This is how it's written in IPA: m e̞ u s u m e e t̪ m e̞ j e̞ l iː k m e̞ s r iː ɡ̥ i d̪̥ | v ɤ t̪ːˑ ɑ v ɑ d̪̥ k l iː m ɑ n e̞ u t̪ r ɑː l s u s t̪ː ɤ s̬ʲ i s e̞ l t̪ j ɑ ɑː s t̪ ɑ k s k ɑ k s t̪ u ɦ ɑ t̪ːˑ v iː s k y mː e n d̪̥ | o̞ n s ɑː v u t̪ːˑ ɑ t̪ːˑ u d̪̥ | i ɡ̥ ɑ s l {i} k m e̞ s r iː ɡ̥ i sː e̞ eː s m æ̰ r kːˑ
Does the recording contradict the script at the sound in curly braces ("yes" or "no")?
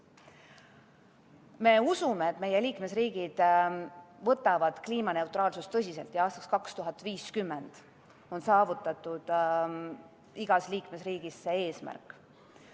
yes